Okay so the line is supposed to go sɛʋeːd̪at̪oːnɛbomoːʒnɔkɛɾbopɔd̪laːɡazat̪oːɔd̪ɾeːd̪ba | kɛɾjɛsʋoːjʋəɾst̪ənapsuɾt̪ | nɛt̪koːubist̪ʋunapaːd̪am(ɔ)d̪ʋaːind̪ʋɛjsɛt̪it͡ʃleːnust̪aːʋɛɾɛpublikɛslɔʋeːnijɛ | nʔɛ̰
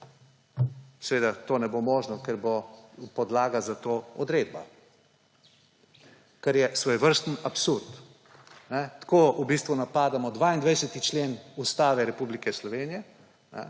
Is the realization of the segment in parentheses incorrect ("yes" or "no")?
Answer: no